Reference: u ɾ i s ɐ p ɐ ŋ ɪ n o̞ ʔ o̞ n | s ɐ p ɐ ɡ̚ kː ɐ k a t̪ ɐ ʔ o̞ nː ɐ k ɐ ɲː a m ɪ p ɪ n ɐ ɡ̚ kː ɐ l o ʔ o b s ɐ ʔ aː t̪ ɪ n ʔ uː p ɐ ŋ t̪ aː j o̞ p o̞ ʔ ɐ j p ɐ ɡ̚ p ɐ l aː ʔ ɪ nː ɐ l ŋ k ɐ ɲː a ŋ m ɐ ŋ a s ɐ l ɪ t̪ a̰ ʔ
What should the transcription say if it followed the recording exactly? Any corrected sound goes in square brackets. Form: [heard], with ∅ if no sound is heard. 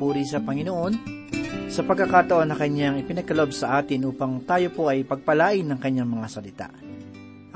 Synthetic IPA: u ɾ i s ɐ p ɐ ŋ ɪ n o̞ ʔ o̞ n | s ɐ p ɐ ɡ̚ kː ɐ k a t̪ ɐ ʔ o̞ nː ɐ k ɐ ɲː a [ŋ] ɪ p ɪ n ɐ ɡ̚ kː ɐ l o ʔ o b s ɐ ʔ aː t̪ ɪ n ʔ uː p ɐ ŋ t̪ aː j o̞ p o̞ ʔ ɐ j p ɐ ɡ̚ p ɐ l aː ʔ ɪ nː ɐ [∅] ŋ k ɐ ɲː a ŋ m ɐ ŋ a s ɐ l ɪ t̪ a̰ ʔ